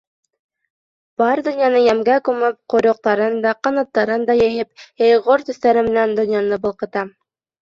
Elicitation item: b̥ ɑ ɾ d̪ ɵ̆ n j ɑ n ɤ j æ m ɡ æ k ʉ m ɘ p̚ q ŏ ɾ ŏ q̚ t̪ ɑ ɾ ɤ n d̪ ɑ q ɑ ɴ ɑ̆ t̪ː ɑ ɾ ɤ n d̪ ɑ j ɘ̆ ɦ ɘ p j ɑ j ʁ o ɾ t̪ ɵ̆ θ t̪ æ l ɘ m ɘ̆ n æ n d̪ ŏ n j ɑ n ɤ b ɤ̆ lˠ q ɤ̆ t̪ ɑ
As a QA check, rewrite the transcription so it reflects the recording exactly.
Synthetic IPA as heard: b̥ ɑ ɾ d̪ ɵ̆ n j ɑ n ɤ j æ m ɡ æ k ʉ m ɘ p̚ q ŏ ɾ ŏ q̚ t̪ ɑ ɾ ɤ n d̪ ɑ q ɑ n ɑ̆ t̪ː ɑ ɾ ɤ n d̪ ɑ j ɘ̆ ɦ ɘ p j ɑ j ʁ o ɾ t̪ ɵ̆ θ t̪ æ ɾ ɘ m ɘ̆ n æ n d̪ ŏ n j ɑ n ɤ b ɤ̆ lˠ q ɤ̆ t̪ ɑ